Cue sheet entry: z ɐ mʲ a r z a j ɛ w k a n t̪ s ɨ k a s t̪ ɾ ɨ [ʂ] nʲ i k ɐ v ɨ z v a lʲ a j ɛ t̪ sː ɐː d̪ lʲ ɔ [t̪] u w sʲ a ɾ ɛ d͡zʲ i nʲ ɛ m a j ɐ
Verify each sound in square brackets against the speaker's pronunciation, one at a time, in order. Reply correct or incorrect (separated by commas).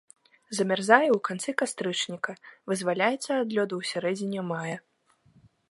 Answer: incorrect, incorrect